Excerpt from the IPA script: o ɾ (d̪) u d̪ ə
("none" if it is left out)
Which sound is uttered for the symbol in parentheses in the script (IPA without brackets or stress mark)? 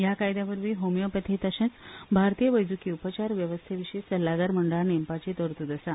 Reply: t̪